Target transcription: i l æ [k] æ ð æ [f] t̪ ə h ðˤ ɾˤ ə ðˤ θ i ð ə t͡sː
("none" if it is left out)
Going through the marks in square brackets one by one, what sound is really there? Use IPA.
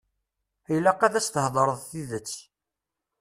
q, s

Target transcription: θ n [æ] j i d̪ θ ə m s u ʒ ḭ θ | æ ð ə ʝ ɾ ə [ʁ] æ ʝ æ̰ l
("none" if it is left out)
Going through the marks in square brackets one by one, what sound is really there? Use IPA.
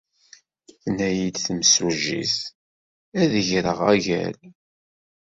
æ, ʁ

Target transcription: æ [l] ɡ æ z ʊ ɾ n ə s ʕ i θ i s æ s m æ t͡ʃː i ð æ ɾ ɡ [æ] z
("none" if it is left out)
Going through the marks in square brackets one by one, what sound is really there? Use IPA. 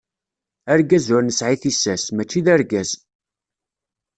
ɾ, æ

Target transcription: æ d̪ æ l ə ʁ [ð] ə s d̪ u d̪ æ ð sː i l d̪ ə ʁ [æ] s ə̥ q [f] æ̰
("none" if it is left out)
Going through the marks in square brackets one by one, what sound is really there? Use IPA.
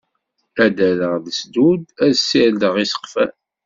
ð, i, f

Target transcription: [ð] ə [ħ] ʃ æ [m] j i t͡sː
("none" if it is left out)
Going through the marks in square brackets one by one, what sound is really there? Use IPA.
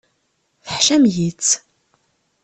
θ, ħ, m

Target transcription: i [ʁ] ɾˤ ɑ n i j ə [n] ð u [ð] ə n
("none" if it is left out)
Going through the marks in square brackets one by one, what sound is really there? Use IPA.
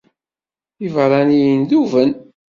v, n, v

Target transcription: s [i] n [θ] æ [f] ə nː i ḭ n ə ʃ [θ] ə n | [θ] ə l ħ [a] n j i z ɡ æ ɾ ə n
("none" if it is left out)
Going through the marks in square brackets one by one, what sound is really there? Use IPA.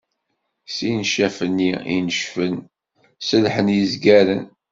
i, ʃ, f, f, s, ə

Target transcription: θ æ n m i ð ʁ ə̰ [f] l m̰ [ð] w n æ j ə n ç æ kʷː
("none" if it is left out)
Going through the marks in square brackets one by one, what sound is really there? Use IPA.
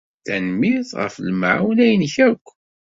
f, ʕ

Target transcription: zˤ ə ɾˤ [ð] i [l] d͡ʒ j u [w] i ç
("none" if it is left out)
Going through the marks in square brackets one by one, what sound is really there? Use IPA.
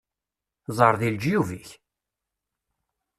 ð, l, v

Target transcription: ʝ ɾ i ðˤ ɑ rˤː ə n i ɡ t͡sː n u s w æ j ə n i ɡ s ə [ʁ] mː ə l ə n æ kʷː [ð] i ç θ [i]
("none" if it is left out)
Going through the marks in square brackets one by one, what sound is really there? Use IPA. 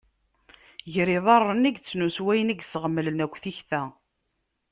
ʁ, θ, æ

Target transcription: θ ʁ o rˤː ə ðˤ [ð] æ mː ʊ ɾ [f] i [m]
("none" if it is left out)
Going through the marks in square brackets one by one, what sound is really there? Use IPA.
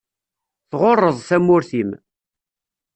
θ, θ, m

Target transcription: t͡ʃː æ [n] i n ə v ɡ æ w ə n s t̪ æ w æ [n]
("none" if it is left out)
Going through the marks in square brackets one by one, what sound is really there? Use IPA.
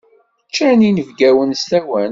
n, n

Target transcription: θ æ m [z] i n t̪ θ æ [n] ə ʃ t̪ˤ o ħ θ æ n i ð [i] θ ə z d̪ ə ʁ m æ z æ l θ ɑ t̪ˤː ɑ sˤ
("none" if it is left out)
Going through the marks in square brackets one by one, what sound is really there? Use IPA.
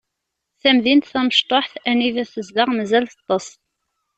ð, m, æ

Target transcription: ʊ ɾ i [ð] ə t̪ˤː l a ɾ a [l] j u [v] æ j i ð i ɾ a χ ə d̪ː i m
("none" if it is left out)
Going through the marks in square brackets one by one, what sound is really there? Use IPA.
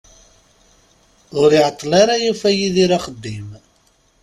ʕ, none, f

